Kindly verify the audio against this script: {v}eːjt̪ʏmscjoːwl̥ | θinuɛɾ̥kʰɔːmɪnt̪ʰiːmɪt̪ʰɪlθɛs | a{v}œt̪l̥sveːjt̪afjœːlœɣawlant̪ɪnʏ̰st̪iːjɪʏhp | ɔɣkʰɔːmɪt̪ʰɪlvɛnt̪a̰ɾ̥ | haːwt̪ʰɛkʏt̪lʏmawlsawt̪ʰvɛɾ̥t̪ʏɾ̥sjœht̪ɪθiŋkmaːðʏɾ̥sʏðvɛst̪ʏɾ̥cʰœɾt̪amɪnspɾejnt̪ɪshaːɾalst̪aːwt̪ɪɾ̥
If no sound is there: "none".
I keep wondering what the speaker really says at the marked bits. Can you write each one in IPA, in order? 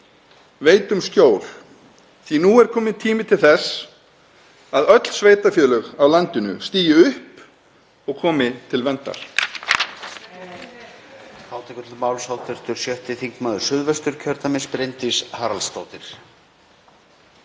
v, ð

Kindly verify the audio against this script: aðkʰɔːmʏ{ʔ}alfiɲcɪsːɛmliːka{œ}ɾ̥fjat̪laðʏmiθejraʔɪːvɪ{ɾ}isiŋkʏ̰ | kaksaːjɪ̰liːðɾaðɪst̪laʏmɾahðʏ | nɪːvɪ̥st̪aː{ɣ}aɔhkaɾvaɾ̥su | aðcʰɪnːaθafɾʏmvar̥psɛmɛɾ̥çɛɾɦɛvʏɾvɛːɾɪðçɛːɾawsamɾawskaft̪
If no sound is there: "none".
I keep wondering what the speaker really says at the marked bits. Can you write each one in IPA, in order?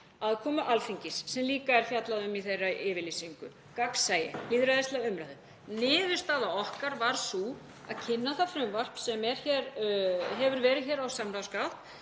ʔ, ɛ, l, ð

